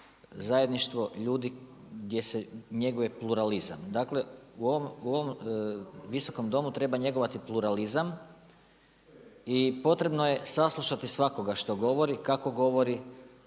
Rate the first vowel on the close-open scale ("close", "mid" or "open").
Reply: open